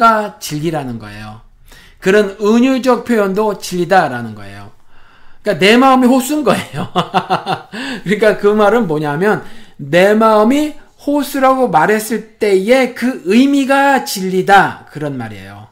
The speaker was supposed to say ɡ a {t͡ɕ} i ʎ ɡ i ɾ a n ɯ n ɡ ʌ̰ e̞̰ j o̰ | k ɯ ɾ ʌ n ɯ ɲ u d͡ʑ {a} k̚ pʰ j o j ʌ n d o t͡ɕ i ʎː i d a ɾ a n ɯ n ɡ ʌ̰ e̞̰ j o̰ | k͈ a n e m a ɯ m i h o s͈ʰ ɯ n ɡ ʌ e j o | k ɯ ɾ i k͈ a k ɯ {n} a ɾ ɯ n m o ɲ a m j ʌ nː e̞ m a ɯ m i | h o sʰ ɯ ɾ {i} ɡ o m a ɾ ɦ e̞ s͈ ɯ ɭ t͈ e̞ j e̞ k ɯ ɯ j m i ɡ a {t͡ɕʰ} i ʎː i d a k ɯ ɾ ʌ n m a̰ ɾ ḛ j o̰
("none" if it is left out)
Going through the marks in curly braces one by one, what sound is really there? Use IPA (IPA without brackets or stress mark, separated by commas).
t͡ɕ, ʌ, m, a, t͡ɕ